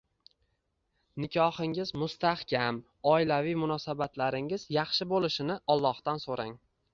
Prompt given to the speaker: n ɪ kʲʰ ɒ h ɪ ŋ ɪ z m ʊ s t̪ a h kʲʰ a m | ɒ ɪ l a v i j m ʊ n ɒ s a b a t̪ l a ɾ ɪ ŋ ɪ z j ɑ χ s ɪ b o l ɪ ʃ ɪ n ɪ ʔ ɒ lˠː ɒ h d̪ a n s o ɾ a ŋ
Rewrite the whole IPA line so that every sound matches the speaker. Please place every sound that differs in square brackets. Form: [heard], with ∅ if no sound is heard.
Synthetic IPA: n ɪ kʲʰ ɒ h ɪ ŋ ɪ z m ʊ s t̪ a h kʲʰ a m | ɒ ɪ l a v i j m ʊ n ɒ s a b a t̪ l a ɾ ɪ ŋ ɪ z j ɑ χ [ʃ] ɪ b o l ɪ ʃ ɪ n ɪ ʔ ɒ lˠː ɒ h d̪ a n s o ɾ a ŋ